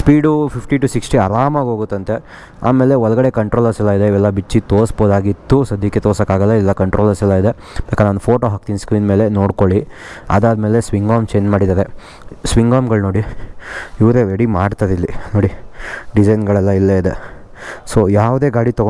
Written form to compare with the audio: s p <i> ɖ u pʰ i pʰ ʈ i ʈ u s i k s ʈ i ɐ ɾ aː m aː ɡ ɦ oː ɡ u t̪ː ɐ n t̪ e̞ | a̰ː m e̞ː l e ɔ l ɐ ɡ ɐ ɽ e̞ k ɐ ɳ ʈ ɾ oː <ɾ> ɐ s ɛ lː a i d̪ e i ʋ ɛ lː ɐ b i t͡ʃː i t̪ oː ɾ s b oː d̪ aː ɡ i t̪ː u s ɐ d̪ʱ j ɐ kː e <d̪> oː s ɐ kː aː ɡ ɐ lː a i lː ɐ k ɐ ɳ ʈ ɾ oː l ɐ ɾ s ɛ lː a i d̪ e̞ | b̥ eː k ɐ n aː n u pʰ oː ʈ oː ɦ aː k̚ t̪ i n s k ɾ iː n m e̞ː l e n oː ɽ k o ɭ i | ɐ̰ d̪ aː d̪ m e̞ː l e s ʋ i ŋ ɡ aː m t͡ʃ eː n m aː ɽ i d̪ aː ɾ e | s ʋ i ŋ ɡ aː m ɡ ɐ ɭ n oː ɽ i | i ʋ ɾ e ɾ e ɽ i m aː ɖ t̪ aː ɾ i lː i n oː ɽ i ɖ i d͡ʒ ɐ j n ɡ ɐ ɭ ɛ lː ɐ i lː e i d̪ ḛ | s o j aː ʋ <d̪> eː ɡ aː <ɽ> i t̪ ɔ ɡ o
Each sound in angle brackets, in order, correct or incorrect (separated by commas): incorrect, incorrect, incorrect, correct, correct